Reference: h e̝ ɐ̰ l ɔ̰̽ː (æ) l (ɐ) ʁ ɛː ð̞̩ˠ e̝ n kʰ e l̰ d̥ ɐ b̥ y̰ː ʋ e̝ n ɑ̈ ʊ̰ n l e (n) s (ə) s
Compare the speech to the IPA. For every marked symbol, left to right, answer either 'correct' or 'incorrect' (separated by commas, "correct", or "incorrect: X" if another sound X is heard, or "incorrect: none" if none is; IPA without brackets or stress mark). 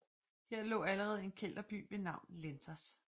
correct, incorrect: ə, correct, incorrect: ɐ